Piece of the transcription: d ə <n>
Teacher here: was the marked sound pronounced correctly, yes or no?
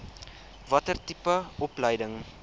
no